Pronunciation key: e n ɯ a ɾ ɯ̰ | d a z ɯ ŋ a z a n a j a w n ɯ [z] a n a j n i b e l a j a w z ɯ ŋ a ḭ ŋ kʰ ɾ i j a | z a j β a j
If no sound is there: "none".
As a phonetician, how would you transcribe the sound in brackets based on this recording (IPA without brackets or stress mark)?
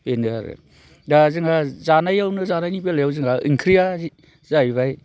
z